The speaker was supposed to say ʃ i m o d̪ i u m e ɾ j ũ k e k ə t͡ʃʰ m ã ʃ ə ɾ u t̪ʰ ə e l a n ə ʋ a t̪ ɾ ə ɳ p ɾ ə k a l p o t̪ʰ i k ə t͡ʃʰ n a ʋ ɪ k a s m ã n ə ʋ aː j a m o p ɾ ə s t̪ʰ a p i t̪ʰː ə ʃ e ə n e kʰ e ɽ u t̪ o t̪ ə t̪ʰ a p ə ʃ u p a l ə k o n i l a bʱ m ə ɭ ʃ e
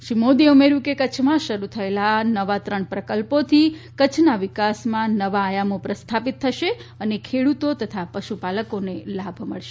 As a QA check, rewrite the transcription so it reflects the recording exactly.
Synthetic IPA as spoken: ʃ i m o d̪ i u m e ɾ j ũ k e k ə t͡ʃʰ m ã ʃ ə ɾ u t̪ʰ ə e l a n ə ʋ a t̪ ɾ ə ɳ p ɾ ə k ə l p o t̪ʰ i k ə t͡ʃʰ n a ʋ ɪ k a s m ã n ə ʋ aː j a m o p ɾ ə s t̪ʰ a p i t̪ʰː ə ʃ e ə n e kʰ e ɽ u t̪ o t̪ ə t̪ʰ a p ə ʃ u p a l ə k o n e l a bʱ m ə ɭ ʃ e